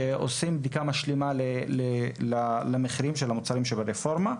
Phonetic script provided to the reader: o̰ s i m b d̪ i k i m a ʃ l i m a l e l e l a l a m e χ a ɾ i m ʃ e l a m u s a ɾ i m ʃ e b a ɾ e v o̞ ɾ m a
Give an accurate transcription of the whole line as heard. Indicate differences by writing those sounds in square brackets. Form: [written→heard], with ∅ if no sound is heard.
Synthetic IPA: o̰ s i m b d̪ i k [i→a] m a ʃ l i m a l e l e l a l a m e χ [a→i] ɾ i m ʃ e l a m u [s→t͡s] a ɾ i m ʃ e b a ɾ e [v→f] o̞ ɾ m a